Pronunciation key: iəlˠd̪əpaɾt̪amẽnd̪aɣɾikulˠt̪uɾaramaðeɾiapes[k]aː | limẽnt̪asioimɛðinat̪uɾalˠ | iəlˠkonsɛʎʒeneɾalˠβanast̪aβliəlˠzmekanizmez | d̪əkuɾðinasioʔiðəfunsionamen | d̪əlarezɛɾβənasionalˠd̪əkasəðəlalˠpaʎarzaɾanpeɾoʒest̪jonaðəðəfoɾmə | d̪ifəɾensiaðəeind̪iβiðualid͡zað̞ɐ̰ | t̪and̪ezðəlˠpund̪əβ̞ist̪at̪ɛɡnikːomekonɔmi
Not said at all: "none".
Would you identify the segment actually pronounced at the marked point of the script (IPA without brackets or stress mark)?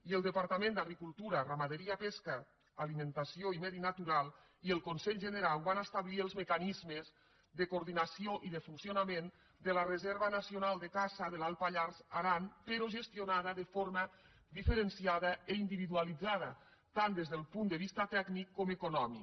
k